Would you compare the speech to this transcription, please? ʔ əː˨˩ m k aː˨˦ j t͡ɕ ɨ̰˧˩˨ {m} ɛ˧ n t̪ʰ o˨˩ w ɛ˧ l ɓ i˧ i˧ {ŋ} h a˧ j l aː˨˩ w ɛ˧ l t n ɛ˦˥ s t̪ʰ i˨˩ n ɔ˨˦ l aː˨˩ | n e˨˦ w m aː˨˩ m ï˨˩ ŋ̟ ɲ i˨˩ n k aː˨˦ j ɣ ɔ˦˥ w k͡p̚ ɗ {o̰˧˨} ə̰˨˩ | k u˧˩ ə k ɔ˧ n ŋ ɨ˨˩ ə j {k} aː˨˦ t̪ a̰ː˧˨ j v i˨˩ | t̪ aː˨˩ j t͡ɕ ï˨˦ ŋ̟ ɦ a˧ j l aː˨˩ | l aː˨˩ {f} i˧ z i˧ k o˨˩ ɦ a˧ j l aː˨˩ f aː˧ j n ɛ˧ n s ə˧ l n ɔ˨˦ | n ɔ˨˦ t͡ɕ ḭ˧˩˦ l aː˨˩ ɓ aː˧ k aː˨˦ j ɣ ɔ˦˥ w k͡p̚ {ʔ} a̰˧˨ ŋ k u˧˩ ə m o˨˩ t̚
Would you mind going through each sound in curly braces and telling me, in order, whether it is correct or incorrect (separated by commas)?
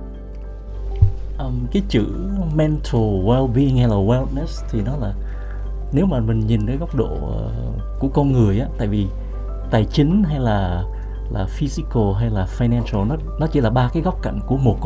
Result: correct, correct, correct, incorrect, correct, incorrect